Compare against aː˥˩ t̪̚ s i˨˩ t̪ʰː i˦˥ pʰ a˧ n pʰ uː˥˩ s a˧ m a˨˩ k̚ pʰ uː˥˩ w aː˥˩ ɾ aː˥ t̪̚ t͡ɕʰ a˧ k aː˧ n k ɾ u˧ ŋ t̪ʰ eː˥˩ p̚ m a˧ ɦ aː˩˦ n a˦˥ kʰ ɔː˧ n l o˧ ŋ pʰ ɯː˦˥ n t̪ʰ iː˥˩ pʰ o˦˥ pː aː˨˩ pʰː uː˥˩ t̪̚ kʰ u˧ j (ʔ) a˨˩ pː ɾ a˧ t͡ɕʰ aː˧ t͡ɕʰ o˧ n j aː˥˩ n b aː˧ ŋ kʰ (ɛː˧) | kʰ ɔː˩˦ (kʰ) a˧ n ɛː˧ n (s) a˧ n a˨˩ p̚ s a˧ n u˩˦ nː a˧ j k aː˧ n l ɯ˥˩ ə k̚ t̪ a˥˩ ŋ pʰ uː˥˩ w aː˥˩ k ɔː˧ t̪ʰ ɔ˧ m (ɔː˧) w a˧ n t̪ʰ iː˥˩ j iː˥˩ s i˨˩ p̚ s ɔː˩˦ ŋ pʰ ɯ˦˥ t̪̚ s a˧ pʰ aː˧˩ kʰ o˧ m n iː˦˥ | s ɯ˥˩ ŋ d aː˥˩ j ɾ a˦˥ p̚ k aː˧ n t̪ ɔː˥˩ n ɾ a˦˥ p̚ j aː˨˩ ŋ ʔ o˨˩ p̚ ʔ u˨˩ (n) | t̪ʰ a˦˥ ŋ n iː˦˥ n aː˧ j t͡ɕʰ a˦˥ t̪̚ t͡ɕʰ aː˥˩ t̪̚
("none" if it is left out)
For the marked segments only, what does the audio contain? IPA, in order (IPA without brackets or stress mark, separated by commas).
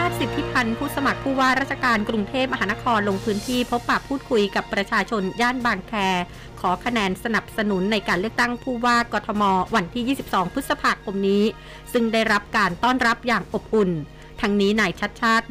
k, ɛː˧, kʰ, s, ɔː˧, n